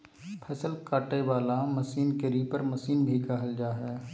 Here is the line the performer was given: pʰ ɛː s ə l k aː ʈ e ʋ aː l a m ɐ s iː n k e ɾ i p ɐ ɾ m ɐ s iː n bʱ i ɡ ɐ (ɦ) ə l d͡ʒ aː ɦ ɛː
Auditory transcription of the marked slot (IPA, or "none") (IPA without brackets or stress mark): ɦ